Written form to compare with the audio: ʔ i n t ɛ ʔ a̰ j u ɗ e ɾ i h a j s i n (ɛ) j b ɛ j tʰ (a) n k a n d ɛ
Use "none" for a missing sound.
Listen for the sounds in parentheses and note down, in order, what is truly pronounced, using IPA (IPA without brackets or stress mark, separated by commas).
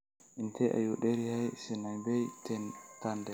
a, ɛ